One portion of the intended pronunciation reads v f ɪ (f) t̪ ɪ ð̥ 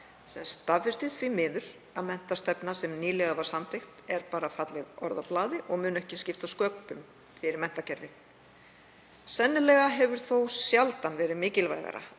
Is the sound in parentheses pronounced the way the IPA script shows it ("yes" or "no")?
no